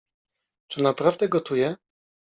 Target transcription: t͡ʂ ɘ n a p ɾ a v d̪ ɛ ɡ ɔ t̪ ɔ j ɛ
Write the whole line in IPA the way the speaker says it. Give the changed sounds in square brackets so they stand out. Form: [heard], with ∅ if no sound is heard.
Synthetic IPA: t͡ʂ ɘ n a p ɾ a v d̪ ɛ ɡ ɔ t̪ [u] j ɛ